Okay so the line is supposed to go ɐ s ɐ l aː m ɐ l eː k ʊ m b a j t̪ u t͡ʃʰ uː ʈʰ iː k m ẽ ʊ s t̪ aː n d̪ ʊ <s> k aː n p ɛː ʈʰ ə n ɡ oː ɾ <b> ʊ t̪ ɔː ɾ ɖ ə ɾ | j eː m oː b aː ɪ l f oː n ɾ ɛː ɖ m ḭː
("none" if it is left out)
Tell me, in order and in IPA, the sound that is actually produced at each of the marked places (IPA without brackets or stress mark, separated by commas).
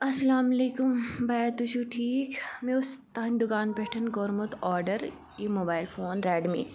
none, m